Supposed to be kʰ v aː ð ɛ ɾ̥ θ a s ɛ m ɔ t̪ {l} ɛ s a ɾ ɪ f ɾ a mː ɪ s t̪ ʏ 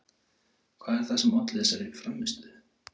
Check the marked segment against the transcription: correct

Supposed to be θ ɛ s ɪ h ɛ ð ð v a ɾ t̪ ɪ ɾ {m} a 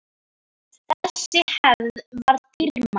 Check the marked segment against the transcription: correct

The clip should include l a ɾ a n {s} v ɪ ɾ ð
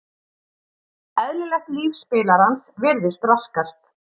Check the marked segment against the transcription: correct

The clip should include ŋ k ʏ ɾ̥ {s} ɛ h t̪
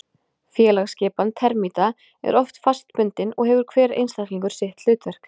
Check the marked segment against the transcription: correct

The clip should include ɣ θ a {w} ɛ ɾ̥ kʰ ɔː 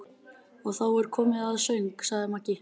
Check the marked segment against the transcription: correct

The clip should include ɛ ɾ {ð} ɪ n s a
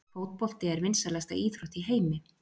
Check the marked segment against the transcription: incorrect: v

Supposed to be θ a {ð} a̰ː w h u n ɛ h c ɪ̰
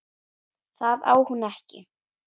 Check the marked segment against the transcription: correct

